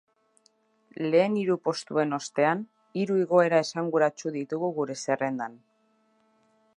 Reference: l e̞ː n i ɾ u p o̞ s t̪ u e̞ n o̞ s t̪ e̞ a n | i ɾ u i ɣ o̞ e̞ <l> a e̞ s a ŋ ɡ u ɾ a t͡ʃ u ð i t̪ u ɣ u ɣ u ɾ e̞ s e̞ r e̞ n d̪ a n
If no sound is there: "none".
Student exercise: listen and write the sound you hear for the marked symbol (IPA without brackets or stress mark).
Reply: ɾ